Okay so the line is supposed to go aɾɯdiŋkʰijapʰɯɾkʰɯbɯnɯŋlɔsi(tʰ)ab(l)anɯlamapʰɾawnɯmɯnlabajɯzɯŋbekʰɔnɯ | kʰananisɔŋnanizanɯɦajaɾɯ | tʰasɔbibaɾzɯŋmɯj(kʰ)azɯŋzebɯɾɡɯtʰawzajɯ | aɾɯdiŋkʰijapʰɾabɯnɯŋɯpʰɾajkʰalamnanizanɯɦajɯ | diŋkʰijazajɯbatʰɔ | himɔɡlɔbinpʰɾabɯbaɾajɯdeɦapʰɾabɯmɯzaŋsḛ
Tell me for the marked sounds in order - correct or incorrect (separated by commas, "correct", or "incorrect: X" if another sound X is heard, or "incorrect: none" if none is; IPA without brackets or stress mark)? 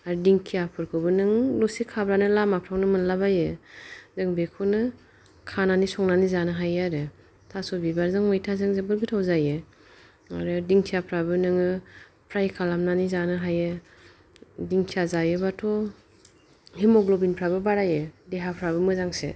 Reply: incorrect: kʰ, incorrect: ɾ, incorrect: tʰ